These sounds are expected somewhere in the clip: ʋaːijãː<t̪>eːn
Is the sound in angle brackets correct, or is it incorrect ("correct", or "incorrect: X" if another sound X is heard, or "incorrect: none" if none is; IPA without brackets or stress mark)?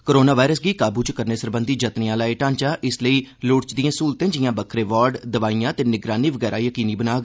correct